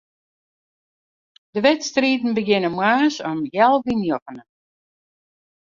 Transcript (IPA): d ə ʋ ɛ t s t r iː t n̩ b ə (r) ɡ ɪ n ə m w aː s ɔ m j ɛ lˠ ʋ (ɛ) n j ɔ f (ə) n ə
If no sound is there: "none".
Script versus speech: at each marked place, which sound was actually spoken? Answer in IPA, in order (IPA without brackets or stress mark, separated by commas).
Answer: none, i, ə